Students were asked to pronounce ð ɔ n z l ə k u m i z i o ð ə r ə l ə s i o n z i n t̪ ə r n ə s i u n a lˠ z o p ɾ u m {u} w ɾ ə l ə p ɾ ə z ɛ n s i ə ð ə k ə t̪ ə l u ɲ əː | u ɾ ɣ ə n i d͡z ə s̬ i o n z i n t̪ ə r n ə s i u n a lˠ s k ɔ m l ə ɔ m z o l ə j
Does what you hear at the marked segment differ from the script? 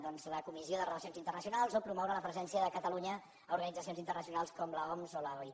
yes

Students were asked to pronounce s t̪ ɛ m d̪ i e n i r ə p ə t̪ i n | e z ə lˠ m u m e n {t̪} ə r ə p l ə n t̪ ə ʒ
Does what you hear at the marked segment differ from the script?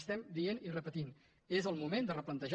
yes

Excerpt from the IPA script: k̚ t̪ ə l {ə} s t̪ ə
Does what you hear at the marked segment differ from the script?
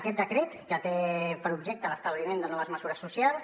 no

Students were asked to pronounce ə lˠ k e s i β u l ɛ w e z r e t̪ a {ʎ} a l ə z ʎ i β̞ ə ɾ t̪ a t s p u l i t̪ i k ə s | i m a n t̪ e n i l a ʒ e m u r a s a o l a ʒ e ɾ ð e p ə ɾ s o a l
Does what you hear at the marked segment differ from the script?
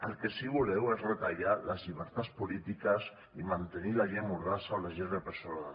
no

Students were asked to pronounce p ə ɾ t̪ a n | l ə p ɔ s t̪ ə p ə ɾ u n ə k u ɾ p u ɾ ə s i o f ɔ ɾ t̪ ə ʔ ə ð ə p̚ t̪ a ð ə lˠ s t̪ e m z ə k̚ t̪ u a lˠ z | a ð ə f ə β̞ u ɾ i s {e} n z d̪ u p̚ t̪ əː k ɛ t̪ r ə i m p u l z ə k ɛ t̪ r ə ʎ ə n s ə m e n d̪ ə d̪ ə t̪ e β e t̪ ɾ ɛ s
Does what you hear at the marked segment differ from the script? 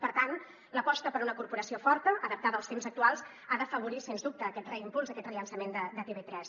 no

